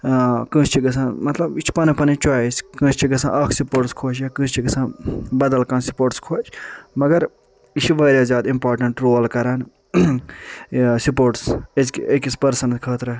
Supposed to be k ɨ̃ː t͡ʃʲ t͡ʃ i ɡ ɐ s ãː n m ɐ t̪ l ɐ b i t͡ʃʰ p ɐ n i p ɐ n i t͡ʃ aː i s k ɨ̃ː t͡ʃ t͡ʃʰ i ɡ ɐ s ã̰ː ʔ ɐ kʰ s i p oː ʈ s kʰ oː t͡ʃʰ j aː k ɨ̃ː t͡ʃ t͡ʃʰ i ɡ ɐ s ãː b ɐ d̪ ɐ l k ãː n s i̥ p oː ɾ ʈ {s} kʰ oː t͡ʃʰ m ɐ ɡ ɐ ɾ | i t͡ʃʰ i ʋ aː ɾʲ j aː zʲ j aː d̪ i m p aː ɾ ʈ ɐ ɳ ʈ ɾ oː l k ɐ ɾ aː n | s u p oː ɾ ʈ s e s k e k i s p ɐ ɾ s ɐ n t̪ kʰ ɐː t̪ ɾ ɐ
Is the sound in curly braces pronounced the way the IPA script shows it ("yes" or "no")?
yes